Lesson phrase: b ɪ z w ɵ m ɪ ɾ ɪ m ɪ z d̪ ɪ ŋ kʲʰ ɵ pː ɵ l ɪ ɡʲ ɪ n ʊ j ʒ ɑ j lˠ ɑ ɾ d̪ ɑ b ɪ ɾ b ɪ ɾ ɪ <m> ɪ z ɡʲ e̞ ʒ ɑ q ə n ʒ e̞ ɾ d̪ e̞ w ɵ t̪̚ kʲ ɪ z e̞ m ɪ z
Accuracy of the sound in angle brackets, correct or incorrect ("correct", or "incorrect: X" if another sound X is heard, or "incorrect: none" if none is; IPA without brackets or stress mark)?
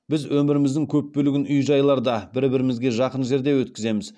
correct